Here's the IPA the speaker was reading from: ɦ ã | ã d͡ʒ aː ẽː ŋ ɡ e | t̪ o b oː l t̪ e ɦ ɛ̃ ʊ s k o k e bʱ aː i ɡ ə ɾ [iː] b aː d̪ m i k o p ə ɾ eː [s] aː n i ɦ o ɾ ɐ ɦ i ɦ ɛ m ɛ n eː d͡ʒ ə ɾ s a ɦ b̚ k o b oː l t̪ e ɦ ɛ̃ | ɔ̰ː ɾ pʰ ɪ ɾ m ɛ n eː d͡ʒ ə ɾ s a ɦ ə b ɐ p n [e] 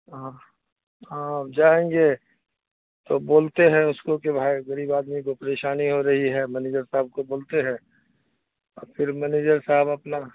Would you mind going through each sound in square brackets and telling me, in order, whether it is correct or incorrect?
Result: correct, incorrect: ʃ, incorrect: a

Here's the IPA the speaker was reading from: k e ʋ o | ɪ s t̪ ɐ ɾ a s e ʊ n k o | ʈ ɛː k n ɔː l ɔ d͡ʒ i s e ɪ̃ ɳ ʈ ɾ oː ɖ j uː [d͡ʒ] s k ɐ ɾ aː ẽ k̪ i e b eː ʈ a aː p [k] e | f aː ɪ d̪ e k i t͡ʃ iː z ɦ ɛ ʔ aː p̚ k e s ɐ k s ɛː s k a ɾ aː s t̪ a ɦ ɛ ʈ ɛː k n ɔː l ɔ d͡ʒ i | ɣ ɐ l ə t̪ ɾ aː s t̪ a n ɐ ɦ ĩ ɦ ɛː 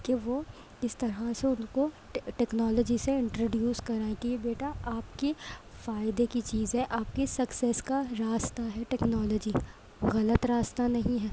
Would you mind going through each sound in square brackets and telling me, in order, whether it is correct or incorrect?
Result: incorrect: none, correct

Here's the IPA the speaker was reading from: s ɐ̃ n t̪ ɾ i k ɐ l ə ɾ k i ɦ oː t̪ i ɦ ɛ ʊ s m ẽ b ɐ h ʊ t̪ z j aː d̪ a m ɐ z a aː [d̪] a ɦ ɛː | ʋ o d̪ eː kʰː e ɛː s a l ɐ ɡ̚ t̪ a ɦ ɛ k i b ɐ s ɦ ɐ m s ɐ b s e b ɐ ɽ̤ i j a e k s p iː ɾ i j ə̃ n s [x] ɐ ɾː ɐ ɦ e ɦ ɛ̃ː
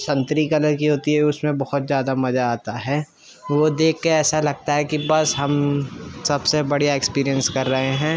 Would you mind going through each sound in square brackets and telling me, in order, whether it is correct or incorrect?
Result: incorrect: t̪, incorrect: k

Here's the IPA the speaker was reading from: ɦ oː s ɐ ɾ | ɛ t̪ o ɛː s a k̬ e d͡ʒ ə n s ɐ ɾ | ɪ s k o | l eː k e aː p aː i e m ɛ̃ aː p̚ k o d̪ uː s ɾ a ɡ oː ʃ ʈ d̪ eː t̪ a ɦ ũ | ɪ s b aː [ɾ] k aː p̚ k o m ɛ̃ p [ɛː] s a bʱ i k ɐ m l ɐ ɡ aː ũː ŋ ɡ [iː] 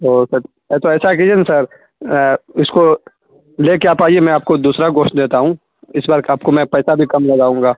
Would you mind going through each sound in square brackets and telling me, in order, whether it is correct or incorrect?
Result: correct, correct, incorrect: aː

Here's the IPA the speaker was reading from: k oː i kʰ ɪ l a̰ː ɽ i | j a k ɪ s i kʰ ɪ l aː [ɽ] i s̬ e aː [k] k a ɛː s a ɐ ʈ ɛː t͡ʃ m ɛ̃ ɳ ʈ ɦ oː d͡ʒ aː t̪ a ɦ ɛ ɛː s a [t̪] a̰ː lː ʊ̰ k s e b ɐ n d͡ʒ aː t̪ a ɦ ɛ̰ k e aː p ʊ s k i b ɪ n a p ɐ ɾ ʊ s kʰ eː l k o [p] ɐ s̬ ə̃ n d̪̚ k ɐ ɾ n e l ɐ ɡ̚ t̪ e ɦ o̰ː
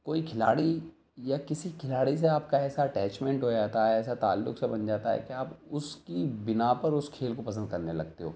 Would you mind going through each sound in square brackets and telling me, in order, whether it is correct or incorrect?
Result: correct, incorrect: p, correct, correct

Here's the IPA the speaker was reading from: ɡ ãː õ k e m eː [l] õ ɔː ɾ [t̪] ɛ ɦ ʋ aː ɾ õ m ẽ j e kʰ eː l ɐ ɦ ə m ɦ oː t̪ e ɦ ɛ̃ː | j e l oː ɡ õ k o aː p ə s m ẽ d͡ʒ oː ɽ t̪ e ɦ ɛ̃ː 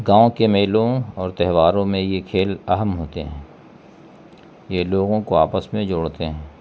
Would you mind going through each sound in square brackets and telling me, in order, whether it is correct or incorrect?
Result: correct, correct

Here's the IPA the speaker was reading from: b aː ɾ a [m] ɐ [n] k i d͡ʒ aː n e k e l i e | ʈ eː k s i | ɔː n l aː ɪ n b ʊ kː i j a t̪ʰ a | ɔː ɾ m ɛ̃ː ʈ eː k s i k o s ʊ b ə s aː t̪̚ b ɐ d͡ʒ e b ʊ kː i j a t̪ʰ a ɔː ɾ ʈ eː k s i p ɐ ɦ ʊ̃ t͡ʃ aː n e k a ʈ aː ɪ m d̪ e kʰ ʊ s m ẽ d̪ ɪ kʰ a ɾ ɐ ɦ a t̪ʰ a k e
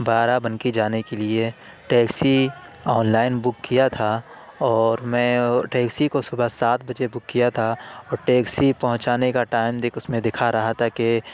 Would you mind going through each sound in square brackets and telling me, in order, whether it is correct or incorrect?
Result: incorrect: b, correct

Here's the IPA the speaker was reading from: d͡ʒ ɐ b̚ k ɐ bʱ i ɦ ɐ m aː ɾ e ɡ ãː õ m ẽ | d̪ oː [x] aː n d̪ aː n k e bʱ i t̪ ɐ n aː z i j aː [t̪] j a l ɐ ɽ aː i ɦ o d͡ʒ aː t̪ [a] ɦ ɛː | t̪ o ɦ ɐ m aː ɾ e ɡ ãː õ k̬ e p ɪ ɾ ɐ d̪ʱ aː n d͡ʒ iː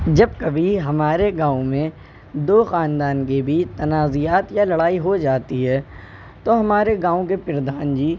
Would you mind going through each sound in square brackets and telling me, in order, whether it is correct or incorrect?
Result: correct, correct, incorrect: i

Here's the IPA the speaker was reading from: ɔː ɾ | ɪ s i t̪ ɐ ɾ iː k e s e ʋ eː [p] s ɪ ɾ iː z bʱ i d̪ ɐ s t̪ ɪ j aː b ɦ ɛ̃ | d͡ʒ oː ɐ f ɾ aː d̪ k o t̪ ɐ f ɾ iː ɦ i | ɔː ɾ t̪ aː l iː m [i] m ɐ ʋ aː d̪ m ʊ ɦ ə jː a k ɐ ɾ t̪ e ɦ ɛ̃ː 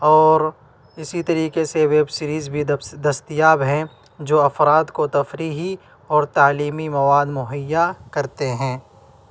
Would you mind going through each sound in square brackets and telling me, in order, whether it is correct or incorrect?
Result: incorrect: b, correct

